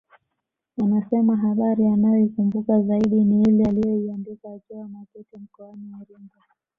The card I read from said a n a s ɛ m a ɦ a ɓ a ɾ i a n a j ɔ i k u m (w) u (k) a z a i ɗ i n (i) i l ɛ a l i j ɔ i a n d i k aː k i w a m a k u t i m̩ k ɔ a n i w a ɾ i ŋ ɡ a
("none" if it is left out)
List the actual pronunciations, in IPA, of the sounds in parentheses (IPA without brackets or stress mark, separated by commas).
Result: b, k, i